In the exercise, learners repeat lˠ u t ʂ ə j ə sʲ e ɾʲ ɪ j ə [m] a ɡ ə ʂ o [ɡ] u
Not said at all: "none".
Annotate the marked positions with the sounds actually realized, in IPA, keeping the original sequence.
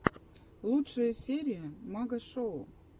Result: m, none

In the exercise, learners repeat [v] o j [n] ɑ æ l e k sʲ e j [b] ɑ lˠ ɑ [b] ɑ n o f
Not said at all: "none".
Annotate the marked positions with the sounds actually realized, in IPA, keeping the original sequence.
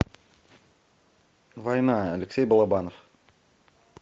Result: v, n, b, b

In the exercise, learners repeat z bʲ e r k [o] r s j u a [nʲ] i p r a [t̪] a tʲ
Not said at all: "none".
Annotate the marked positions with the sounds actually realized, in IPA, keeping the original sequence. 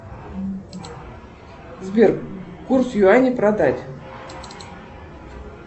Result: u, nʲ, d̪

